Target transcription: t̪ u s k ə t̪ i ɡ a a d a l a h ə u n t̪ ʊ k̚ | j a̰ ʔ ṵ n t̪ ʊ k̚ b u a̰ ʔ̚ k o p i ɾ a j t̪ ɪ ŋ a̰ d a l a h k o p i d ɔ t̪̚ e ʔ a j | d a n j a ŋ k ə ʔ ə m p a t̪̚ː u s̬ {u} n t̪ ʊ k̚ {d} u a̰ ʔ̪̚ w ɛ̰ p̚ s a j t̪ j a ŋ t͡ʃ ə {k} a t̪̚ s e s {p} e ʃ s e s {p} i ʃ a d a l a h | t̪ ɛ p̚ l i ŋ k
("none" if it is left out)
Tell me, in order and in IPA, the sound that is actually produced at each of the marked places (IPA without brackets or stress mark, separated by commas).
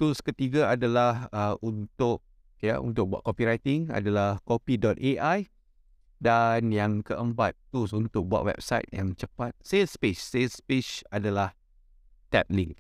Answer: u, b, p, p, p